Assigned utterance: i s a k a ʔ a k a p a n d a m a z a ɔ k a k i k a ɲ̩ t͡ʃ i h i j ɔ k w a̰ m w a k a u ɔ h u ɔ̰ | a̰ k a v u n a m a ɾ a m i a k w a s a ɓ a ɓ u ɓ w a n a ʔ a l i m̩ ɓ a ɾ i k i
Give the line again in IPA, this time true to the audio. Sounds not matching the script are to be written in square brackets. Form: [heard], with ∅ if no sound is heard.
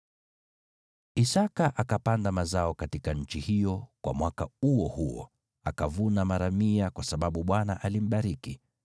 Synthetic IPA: i s a k a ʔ a k a p a n d a m a z a ɔ k a [t] i k a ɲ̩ t͡ʃ i h i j ɔ k w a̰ m w a k a u ɔ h u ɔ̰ | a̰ k a v u n a m a ɾ a m i a k w a s a ɓ a ɓ u ɓ w a n a ʔ a l i m̩ ɓ a ɾ i k i